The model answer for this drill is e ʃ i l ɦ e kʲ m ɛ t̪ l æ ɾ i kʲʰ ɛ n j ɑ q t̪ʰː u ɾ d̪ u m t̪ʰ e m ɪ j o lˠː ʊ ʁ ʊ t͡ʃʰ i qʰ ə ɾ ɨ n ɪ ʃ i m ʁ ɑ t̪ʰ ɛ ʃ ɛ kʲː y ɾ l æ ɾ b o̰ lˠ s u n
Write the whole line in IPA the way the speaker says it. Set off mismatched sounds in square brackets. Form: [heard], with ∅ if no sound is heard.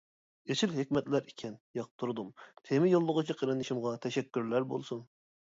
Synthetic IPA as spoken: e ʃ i l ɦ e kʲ m ɛ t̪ l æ ɾ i kʲʰ ɛ n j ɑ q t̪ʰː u ɾ d̪ u m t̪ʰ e m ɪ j o lˠː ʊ ʁ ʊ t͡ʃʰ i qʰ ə ɾ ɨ n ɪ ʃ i m ʁ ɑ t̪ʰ ɛ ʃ ɛ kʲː y ɾ l æ ɾ b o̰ lˠ s u n

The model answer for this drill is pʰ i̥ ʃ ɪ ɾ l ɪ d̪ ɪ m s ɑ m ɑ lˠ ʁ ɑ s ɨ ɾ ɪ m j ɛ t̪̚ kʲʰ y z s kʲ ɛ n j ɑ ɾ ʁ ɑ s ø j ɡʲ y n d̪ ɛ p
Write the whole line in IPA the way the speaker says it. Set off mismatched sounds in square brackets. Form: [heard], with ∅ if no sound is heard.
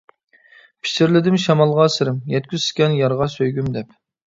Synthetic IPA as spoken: pʰ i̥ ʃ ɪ ɾ l ɪ d̪ ɪ m [ʃ] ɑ m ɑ lˠ ʁ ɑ s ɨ ɾ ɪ m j ɛ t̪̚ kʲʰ y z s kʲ ɛ n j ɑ ɾ ʁ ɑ s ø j ɡʲ y [m] d̪ ɛ p

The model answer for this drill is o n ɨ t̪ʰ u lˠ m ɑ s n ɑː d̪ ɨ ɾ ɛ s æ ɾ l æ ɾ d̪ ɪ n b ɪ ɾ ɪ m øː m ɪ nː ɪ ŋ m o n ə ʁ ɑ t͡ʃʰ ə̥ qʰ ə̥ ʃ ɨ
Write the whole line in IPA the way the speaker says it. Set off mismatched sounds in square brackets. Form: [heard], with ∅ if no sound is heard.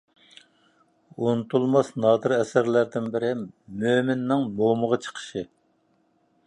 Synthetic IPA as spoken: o n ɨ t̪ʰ u lˠ m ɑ s n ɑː d̪ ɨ ɾ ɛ s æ ɾ l æ ɾ d̪ ɪ n b ɪ ɾ ɪ m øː m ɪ nː ɪ ŋ m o [m] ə ʁ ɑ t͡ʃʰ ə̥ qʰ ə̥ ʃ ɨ

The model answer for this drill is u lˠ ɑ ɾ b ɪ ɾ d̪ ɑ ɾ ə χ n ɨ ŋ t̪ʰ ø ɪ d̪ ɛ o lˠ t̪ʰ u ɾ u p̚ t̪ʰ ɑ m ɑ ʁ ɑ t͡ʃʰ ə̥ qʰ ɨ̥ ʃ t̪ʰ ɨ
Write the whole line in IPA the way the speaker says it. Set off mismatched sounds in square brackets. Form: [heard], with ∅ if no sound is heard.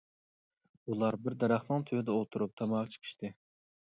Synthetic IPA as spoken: u lˠ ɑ ɾ b ɪ ɾ d̪ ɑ ɾ [ɑ] χ n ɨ ŋ t̪ʰ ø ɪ d̪ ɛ o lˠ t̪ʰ u ɾ u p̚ t̪ʰ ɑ m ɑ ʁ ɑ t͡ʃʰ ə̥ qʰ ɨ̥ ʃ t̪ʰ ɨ

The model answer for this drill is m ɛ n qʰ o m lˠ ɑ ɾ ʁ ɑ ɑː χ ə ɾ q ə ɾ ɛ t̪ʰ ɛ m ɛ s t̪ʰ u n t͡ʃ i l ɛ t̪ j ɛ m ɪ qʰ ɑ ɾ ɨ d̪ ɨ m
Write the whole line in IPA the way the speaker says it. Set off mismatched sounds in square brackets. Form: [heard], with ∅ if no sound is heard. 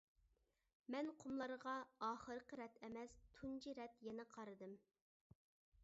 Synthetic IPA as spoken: m ɛ n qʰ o m lˠ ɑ ɾ ʁ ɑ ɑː χ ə ɾ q ə ɾ ɛ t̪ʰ ɛ m ɛ s t̪ʰ u n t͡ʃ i [ɾ] ɛ t̪ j ɛ [n] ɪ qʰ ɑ ɾ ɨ d̪ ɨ m

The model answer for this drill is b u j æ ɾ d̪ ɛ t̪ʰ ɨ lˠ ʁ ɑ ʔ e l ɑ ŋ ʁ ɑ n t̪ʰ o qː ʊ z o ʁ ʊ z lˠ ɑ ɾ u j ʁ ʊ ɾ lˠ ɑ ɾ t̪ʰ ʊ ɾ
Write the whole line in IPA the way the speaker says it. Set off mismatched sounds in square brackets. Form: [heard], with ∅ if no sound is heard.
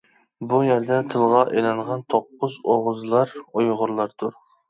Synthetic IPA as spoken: b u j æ ɾ d̪ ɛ t̪ʰ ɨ lˠ ʁ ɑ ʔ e l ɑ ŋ ʁ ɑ n t̪ʰ o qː ʊ z o ʁ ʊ z lˠ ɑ ɾ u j ʁ ʊ ɾ lˠ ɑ ɾ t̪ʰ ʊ ɾ

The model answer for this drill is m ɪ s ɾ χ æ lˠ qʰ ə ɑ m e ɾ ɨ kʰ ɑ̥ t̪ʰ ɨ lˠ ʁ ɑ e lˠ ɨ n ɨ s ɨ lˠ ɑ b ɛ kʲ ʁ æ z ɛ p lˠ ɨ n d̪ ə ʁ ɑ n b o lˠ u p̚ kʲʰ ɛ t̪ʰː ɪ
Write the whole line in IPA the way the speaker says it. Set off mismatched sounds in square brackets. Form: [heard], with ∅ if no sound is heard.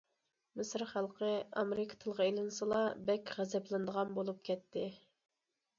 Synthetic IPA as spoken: m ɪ s ɾ χ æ lˠ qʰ ə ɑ m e ɾ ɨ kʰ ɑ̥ t̪ʰ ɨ lˠ ʁ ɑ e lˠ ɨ n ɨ s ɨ lˠ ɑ b ɛ kʲ ʁ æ z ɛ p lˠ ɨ n d̪ ə ʁ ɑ n b o lˠ u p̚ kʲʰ ɛ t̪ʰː ɪ

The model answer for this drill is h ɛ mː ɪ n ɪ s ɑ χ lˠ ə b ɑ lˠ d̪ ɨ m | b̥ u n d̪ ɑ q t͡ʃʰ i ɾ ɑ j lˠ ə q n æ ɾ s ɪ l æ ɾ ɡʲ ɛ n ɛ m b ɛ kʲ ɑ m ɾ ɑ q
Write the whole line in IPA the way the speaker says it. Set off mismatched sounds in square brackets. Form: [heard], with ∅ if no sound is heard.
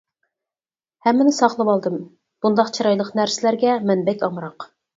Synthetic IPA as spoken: h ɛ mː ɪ n ɪ s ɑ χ lˠ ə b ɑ lˠ d̪ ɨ m | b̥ u n d̪ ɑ q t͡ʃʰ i ɾ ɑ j lˠ ə q n æ ɾ s ɪ l æ ɾ ɡʲ ɛ [m] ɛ [n] b ɛ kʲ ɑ m ɾ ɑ q

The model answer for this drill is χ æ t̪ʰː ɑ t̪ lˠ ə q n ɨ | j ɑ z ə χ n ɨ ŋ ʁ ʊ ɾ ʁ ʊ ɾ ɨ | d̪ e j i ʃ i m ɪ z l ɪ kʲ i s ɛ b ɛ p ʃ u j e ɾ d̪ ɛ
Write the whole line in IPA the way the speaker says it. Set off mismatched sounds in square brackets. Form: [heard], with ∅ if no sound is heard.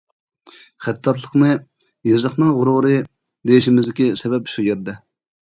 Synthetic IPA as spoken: χ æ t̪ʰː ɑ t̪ lˠ ə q n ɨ | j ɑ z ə χ n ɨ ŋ ʁ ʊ ɾ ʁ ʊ ɾ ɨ | d̪ e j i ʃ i m ɪ z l ɪ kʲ i s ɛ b ɛ p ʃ u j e ɾ d̪ ɛ

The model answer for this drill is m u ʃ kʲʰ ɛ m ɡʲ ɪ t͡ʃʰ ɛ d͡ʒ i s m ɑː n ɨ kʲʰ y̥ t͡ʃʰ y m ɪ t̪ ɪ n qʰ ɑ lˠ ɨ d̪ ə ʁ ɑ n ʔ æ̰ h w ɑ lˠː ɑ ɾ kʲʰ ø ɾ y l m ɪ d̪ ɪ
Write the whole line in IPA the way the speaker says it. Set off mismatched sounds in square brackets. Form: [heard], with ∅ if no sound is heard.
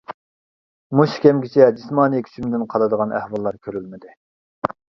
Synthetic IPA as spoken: m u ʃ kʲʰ ɛ m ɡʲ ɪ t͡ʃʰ ɛ d͡ʒ i s m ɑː n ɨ kʲʰ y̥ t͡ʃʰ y m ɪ [d̪] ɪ n qʰ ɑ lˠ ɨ d̪ ə ʁ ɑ n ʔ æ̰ h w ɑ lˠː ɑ ɾ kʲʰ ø ɾ y l m ɪ d̪ ɪ

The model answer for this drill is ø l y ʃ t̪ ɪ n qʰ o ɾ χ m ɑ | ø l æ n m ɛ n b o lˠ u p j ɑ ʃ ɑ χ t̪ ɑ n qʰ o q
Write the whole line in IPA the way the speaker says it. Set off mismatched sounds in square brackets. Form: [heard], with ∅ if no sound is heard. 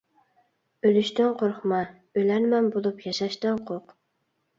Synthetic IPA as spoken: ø l y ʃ t̪ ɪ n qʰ o ɾ χ m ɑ | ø l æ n m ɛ n b o lˠ u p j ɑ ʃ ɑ [ʃ] t̪ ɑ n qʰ o q

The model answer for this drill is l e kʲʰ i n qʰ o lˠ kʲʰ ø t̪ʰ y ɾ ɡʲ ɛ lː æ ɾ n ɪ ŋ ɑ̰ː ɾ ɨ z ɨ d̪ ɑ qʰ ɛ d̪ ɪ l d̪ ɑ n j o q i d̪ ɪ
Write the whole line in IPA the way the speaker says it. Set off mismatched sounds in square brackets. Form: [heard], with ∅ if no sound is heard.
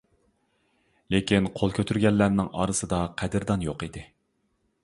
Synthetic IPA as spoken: l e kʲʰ i n qʰ o lˠ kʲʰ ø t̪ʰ y ɾ ɡʲ ɛ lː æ ɾ n ɪ ŋ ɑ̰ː ɾ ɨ [s] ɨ d̪ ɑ qʰ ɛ d̪ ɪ [ɾ] d̪ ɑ n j o q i d̪ ɪ

